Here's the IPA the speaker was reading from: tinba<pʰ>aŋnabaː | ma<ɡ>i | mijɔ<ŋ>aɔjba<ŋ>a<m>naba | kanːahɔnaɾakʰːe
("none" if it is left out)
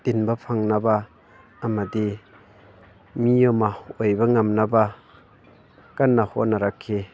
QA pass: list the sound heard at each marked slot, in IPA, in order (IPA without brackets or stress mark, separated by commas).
pʰ, d, m, ŋ, m